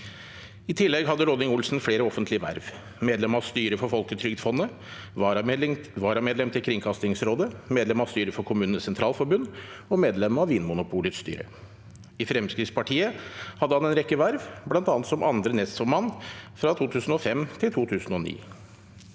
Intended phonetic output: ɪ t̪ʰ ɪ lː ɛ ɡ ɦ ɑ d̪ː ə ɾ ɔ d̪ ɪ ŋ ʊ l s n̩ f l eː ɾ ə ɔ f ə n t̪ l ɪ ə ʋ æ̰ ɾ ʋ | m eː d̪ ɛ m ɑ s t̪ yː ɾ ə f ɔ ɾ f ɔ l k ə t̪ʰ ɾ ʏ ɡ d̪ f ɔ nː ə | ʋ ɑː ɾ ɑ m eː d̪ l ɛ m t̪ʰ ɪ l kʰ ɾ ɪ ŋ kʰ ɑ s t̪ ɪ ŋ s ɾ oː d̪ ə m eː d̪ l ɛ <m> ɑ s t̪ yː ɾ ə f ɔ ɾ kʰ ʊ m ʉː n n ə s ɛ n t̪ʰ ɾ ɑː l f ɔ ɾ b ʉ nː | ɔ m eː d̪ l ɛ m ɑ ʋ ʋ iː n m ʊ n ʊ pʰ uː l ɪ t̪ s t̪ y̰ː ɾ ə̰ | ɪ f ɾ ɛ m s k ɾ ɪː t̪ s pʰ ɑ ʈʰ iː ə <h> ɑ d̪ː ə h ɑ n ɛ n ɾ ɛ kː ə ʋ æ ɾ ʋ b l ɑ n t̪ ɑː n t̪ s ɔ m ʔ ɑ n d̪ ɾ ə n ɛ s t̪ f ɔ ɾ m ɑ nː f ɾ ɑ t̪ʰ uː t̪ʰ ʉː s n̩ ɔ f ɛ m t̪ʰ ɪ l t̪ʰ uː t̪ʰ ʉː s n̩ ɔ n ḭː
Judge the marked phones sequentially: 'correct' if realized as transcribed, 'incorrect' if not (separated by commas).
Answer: correct, correct